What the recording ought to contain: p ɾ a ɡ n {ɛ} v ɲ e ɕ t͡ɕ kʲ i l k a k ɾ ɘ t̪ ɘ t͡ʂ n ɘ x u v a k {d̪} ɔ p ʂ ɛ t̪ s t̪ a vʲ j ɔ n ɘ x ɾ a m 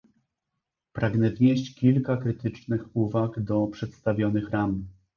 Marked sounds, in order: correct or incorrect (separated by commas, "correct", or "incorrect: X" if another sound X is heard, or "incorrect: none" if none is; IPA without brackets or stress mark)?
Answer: correct, correct